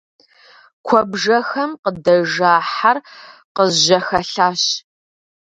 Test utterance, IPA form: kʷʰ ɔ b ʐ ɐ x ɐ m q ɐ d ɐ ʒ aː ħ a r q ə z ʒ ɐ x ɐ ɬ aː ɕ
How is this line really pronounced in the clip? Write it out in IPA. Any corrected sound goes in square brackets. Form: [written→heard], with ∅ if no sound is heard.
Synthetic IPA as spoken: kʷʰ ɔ b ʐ ɐ x ɐ m q [ɐ→ə] d ɐ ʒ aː ħ a r q ə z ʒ ɐ x ɐ ɬ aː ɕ